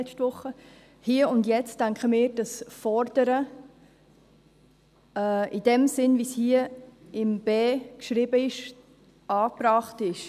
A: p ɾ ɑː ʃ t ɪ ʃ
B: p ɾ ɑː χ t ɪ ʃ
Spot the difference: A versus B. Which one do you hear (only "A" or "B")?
B